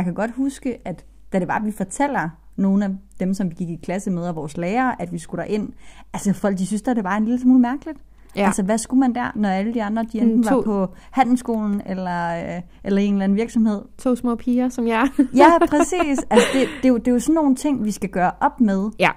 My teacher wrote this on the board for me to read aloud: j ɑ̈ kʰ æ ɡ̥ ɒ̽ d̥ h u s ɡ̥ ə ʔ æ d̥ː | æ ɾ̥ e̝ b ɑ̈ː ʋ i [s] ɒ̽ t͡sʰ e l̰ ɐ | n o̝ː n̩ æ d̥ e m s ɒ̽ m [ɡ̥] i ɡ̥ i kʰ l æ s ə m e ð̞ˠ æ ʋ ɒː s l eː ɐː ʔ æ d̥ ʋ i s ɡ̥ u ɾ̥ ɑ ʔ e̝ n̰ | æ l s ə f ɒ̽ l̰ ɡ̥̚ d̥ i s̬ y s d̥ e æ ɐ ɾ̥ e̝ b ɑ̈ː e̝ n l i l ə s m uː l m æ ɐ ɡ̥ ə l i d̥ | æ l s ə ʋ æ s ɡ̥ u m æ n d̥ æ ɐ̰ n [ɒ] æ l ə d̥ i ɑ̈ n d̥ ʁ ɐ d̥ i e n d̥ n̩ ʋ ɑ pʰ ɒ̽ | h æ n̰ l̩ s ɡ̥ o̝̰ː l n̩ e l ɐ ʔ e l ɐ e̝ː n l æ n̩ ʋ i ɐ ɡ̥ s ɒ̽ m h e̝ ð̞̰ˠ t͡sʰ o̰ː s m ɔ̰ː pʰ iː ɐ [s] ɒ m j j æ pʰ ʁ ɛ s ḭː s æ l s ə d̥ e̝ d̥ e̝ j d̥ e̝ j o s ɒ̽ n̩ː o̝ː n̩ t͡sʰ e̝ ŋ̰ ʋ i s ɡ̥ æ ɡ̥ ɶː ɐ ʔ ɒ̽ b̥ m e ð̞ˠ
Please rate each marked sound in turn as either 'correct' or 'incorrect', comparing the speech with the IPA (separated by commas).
incorrect, correct, correct, correct